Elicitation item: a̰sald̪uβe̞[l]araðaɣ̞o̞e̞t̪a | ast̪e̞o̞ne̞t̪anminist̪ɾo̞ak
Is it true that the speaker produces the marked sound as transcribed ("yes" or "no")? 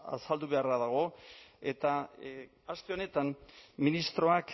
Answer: no